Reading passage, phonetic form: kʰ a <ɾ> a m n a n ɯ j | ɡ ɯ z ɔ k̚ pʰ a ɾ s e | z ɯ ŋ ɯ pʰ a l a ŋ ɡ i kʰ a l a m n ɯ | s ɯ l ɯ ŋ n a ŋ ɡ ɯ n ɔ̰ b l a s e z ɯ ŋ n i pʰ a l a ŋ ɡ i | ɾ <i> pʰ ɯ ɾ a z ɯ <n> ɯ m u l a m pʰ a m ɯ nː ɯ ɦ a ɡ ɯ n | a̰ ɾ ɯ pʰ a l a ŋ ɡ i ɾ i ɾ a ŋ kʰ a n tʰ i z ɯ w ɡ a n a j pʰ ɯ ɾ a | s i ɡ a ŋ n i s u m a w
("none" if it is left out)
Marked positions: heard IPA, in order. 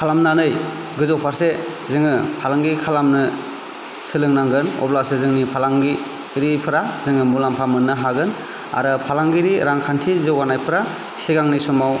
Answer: l, i, ŋ

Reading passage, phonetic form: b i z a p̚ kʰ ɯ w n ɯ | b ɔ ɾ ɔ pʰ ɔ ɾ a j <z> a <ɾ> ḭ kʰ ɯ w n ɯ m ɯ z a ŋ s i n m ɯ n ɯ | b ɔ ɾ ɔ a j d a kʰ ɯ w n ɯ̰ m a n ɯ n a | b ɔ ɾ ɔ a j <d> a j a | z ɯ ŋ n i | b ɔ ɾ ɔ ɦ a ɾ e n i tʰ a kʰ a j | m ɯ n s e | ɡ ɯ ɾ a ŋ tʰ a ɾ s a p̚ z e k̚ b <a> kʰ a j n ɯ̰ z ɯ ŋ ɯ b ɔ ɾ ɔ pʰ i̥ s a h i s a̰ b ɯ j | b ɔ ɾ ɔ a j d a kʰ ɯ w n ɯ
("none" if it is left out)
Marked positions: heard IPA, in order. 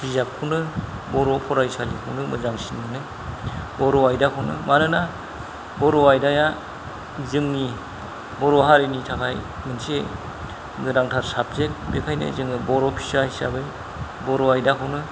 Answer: s, l, d, e

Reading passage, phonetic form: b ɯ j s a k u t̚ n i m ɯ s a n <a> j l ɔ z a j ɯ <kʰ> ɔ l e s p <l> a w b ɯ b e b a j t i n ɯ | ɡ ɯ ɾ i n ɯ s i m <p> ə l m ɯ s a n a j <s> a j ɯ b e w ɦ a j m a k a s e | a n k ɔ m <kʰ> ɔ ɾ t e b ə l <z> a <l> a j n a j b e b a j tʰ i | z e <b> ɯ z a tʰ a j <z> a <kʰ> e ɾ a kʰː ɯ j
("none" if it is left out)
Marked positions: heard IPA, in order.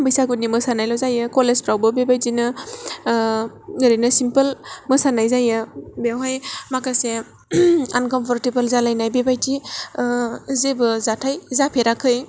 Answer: a, k, ɾ, p, z, pʰ, z, l, b, z, pʰ

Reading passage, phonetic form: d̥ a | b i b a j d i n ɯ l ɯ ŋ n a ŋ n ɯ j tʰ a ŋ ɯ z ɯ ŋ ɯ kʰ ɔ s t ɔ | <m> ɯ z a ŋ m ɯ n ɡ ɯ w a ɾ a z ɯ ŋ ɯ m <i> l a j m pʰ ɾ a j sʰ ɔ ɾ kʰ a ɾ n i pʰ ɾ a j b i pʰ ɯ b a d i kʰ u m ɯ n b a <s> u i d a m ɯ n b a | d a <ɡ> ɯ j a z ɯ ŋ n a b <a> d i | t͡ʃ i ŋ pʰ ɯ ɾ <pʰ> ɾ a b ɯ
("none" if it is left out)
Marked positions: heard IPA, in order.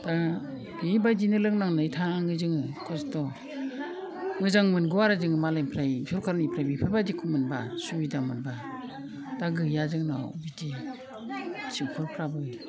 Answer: ŋ, a, s, ɡ, i, pʰ

